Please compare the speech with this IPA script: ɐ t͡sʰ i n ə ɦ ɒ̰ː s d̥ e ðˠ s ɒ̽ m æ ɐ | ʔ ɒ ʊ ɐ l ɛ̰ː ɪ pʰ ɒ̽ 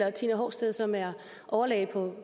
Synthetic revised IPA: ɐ t͡sʰ i n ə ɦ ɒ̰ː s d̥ e ðˠ s ɒ̽ m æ ɐ | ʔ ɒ ʊ ɐ l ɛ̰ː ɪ pʰ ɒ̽